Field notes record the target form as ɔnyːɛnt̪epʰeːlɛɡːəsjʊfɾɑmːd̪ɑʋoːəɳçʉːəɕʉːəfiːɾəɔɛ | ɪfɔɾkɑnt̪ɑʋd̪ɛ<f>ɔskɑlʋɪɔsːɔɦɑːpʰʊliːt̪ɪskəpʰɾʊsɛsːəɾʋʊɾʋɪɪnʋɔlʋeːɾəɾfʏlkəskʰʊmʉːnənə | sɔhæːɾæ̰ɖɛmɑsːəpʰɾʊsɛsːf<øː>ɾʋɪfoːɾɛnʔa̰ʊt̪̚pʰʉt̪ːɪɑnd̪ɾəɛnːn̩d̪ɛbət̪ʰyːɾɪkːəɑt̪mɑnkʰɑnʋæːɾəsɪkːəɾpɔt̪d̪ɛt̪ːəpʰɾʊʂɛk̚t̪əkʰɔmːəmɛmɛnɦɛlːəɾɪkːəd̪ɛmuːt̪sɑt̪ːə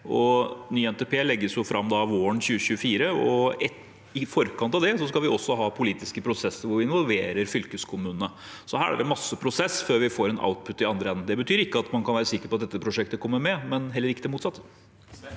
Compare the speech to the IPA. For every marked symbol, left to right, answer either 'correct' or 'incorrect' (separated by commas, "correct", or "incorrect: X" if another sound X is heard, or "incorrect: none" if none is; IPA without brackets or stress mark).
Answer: incorrect: s, correct